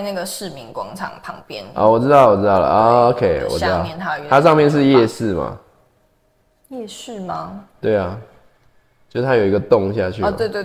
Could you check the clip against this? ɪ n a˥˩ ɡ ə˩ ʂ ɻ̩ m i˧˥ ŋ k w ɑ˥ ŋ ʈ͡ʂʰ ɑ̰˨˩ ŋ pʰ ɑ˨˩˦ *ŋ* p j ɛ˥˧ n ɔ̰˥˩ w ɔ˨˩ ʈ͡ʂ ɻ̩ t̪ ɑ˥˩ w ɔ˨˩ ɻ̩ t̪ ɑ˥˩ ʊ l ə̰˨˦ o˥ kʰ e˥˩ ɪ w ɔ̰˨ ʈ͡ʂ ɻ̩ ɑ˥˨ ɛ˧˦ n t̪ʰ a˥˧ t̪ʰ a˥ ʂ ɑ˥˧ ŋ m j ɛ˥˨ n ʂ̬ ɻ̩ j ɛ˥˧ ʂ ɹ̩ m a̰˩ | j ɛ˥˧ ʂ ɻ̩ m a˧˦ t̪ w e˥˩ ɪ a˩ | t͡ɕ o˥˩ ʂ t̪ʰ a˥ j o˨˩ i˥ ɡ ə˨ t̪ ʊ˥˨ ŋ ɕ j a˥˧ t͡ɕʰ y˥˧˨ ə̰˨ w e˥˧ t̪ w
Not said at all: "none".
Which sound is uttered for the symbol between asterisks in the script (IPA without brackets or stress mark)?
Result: ŋ